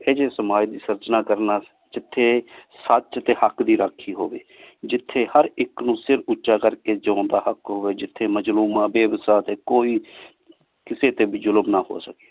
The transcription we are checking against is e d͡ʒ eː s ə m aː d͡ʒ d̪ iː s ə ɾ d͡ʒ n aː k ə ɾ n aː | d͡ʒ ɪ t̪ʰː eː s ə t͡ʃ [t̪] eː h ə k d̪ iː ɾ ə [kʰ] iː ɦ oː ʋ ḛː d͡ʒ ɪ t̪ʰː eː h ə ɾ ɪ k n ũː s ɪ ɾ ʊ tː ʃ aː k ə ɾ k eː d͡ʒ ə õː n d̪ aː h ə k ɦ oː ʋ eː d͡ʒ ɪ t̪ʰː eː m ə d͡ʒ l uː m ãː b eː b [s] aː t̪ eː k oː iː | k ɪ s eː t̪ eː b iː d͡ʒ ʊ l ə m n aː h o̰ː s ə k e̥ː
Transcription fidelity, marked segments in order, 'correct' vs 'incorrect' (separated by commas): correct, correct, correct